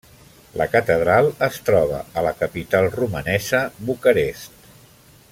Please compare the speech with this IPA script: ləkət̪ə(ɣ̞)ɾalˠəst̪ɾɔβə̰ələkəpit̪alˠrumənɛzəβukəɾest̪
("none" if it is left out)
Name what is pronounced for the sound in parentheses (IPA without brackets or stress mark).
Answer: ð̞